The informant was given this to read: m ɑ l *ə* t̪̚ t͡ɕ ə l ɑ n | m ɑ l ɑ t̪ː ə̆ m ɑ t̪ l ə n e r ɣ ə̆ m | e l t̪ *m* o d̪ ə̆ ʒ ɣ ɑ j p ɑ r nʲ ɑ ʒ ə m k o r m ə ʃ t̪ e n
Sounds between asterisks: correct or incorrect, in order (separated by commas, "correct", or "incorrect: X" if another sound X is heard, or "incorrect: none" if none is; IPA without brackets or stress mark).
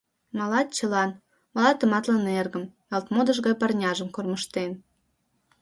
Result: incorrect: ɑ, correct